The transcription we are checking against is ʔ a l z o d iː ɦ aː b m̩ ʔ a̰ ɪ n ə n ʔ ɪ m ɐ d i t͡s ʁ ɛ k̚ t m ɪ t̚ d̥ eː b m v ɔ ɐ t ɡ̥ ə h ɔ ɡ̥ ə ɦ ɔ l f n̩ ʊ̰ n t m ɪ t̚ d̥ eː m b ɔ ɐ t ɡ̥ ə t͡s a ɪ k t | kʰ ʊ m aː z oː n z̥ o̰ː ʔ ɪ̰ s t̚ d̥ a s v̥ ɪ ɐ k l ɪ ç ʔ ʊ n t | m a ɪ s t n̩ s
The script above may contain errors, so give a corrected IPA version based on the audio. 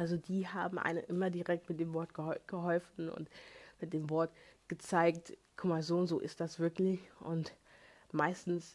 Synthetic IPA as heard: ʔ a l z o d iː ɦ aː b m̩ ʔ a̰ ɪ n ə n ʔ ɪ m ɐ d i ʁ ɛ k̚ t m ɪ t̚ d̥ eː m v ɔ ɐ t ɡ̥ ə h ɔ ɡ̥ ə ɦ ɔ l f n̩ ʊ̰ n t m ɪ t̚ d̥ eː m v ɔ ɐ t ɡ̥ ə t͡s a ɪ k t | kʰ ʊ m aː z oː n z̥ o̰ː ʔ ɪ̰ s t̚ d̥ a s v̥ ɪ ɐ k l ɪ ç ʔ ʊ n t | m a ɪ s t n̩ s